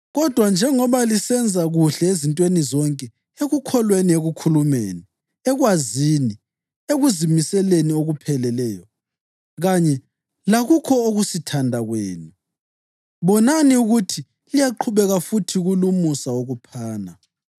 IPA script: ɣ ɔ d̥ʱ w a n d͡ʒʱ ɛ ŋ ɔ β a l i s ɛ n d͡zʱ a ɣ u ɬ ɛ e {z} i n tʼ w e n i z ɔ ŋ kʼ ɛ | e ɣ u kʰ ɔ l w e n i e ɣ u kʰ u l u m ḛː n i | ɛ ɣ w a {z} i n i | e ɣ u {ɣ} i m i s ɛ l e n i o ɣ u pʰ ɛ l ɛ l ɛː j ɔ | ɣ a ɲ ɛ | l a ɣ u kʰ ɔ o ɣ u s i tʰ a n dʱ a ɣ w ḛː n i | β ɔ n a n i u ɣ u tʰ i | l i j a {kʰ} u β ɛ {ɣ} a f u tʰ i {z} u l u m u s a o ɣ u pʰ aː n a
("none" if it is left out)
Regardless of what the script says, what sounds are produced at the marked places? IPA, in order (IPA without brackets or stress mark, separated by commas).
z, z, z, ǃʰ, ɣ, ɣ